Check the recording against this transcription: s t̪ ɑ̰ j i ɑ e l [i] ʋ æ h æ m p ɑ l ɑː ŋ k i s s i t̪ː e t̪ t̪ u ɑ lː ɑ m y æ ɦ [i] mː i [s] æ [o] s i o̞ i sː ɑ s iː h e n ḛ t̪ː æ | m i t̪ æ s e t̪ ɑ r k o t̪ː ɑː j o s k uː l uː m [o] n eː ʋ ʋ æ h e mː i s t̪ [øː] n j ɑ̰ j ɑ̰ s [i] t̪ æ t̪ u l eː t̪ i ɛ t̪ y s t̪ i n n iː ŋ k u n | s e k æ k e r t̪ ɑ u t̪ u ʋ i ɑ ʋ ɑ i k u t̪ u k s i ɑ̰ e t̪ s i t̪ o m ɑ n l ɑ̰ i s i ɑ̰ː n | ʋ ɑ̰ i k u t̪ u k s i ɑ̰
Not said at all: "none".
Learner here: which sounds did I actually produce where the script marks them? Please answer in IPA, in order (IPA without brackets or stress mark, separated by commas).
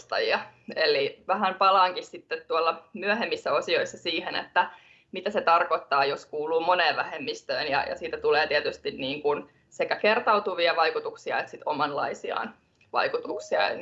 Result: i, e, sː, o, o, øː, iː